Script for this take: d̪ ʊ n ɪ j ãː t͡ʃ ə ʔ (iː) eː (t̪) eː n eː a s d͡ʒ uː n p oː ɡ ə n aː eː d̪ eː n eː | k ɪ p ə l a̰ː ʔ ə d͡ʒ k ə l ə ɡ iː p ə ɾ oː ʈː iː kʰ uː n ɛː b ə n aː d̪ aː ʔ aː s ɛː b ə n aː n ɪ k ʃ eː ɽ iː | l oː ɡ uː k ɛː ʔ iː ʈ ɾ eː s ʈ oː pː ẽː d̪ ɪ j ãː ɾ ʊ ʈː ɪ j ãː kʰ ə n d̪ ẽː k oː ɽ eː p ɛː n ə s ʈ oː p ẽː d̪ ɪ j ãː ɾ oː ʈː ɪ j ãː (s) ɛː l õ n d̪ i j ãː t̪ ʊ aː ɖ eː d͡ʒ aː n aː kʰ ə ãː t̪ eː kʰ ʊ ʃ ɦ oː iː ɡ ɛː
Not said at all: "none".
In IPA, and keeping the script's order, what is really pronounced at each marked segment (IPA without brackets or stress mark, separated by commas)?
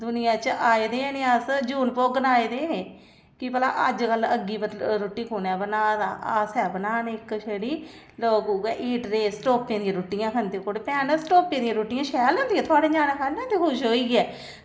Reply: aː, d̪, ʃ